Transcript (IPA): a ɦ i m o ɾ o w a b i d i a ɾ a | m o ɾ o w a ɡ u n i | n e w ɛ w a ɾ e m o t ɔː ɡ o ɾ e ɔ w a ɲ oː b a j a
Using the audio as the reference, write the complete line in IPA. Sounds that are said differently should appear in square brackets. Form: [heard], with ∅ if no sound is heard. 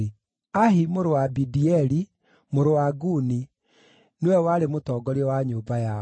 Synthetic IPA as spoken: a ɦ i m o ɾ o w a b i d i [ɛ] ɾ [i] | m o ɾ o w a ɡ u n i | n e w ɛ w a ɾ e m o t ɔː ɡ [ɔ] ɾ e ɔ w a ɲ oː b a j a